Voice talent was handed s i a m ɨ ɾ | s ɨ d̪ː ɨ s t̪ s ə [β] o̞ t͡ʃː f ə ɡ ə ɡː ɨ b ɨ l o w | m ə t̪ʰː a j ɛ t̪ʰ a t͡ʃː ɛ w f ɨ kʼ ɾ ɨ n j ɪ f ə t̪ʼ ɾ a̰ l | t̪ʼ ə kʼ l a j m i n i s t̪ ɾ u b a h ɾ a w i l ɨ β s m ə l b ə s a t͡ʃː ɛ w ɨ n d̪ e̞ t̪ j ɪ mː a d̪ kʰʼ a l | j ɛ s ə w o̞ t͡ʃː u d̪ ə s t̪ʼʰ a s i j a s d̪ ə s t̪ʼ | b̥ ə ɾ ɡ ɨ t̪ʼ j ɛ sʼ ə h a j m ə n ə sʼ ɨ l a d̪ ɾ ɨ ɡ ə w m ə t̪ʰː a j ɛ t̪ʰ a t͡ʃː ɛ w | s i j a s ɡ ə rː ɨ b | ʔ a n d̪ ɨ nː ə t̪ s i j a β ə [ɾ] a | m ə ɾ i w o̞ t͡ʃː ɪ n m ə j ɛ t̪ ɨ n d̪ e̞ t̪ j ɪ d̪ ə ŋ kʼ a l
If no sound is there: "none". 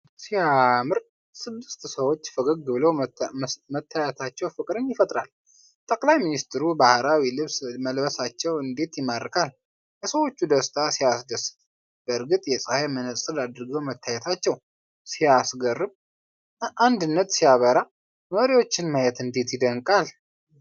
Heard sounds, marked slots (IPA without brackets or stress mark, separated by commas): w, ɾ